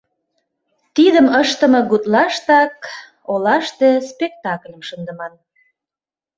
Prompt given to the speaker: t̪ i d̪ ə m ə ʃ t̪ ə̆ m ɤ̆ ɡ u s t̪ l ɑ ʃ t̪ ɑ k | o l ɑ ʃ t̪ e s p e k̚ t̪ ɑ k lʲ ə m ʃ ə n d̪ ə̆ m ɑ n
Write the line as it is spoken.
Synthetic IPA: t̪ i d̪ ə m ə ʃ t̪ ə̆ m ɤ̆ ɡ u t̪ l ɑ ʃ t̪ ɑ k | o l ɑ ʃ t̪ e s p e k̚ t̪ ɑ k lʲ ə m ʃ ə n d̪ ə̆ m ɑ n